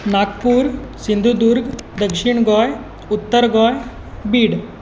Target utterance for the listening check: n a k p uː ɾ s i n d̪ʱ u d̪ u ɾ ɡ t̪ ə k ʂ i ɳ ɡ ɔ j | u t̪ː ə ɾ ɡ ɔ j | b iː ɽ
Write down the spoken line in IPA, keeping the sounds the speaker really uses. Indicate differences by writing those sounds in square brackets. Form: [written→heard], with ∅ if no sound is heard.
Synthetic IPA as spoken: n a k p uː ɾ s i n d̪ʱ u d̪ u ɾ ɡ [t̪→d̪] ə k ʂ i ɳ ɡ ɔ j | u t̪ː ə ɾ ɡ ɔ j | b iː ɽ

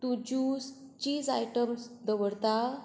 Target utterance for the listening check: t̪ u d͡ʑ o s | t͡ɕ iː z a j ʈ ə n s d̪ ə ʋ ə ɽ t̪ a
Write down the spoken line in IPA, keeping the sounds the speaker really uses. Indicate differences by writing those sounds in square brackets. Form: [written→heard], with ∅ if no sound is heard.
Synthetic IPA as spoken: t̪ u d͡ʑ [o→u] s | t͡ɕ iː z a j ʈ ə [n→m] s d̪ ə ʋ ə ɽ t̪ a

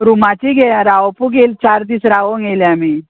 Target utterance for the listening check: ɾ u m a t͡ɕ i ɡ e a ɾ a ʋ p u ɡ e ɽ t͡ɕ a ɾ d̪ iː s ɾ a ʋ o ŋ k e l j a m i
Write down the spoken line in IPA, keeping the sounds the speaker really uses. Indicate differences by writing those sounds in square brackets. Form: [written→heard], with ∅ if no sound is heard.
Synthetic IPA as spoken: ɾ u m a t͡ɕ i ɡ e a ɾ a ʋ p u ɡ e [ɽ→l] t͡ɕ a ɾ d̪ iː s ɾ a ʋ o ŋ [k→ɡ] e l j a m i

